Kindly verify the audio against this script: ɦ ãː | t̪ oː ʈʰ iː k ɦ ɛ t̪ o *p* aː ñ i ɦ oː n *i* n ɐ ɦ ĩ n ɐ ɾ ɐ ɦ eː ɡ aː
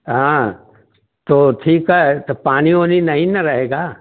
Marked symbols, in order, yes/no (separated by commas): yes, yes